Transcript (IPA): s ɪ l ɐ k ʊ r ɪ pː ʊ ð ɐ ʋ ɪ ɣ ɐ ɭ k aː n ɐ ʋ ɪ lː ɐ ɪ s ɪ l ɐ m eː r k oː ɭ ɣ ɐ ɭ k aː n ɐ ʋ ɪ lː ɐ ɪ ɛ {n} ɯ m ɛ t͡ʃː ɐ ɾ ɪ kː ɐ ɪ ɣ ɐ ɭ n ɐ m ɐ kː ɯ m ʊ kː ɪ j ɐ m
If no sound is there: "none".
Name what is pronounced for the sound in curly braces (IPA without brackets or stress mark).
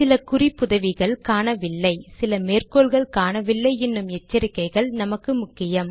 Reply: nː